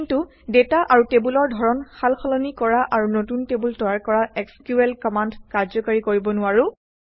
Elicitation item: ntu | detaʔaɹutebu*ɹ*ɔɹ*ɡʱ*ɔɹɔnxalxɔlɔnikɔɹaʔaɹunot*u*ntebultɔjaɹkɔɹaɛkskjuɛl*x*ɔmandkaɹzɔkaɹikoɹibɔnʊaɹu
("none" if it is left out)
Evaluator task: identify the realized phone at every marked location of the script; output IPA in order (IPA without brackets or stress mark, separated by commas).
l, dʱ, u, k